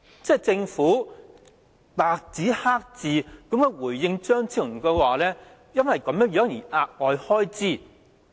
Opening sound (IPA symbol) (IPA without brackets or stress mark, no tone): t͡s